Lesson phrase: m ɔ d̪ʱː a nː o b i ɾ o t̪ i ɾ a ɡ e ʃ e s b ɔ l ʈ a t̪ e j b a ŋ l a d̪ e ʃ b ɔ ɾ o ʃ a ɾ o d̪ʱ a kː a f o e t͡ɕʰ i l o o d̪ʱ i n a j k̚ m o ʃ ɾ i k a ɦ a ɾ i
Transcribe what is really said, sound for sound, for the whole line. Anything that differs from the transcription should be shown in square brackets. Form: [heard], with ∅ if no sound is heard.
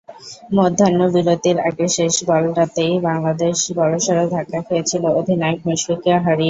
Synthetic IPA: m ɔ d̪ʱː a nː o b i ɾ o t̪ i ɾ a ɡ e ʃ e [ʃ] b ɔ l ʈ a t̪ e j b a ŋ l a d̪ e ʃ b ɔ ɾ o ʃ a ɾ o d̪ʱ a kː a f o e t͡ɕʰ i l o o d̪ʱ i n a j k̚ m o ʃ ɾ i k a ɦ a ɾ i

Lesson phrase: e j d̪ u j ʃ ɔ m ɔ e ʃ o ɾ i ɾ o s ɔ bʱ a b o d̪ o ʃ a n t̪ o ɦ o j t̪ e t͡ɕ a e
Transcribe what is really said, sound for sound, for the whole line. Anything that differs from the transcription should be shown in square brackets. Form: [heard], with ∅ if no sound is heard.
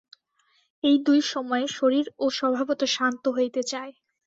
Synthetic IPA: e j d̪ u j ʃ ɔ m ɔ e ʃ o ɾ i ɾ o [ʃ] ɔ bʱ a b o [t̪] o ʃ a n t̪ o ɦ o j t̪ e t͡ɕ a e

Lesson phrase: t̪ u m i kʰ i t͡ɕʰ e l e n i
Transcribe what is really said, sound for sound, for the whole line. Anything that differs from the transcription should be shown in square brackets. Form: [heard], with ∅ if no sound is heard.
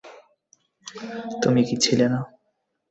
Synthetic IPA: t̪ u m i [k] i t͡ɕʰ [i] l e n [a]

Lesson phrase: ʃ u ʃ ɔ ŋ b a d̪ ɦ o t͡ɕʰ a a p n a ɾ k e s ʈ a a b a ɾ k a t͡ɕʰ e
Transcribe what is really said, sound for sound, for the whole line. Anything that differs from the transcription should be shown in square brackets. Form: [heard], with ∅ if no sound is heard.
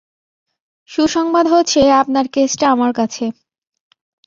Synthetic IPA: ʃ u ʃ ɔ ŋ b a d̪ ɦ o t͡ɕʰ [e] a p n a ɾ k e s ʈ a a [m] a ɾ k a t͡ɕʰ e

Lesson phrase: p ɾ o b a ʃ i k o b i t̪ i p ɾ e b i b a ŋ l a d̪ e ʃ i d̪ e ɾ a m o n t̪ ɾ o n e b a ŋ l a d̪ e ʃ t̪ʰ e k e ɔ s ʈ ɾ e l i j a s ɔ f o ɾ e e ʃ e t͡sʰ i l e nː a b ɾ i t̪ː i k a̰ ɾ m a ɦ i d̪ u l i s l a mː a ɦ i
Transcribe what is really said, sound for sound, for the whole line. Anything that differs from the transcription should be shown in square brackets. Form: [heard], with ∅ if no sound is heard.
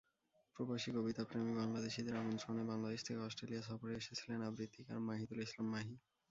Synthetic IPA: p ɾ o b a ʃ i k o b i t̪ [a] p ɾ e [m] i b a ŋ l a d̪ e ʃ i d̪ e ɾ a m o n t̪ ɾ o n e b a ŋ l a d̪ e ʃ t̪ʰ e k e ɔ s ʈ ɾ e l i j a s ɔ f o ɾ e e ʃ e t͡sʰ i l e [n] a b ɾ i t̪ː i k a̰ ɾ m a ɦ i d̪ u l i s l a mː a ɦ i

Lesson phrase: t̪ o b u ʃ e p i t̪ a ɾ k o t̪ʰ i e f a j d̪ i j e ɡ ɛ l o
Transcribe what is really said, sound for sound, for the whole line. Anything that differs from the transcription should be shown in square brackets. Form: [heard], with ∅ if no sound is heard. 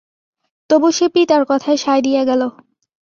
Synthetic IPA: t̪ o b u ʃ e p i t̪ a ɾ k [ɔ] t̪ʰ [a] e [ʃ] a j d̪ i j e ɡ ɛ l o

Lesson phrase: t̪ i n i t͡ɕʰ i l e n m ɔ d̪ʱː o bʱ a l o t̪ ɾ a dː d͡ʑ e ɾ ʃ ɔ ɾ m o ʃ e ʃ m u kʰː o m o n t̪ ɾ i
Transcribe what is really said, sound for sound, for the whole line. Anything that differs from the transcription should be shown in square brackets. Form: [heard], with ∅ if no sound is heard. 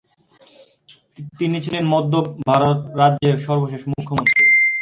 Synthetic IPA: t̪ i n i t͡ɕʰ i l e n m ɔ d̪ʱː o bʱ a [ɾ] o t̪ ɾ a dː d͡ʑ e ɾ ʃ ɔ ɾ [b] o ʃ e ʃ m u kʰː o m o n t̪ ɾ i

